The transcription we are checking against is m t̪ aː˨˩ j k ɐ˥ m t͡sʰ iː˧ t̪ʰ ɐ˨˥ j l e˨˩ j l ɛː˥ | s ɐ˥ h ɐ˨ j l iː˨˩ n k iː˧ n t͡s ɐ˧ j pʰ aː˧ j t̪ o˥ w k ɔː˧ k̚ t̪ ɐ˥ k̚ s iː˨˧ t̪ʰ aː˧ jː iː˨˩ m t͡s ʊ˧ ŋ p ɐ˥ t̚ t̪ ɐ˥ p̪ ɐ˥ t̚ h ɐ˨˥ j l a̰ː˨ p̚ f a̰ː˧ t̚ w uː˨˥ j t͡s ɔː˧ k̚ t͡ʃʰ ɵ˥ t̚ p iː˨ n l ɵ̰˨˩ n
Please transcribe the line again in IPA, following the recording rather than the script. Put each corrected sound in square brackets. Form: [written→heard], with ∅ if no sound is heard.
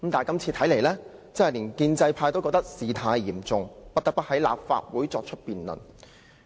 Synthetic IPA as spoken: m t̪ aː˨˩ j k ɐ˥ m t͡sʰ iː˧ t̪ʰ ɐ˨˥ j l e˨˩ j l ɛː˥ | [s→t͡s] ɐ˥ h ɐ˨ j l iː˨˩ n k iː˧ n t͡s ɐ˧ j pʰ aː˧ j t̪ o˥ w k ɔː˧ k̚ t̪ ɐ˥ k̚ s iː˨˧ t̪ʰ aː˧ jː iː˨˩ m t͡s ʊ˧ ŋ p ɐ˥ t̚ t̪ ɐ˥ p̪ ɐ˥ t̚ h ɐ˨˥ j l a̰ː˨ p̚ f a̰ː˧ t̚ w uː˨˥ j t͡s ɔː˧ k̚ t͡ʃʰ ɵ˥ t̚ p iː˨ n l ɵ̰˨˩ n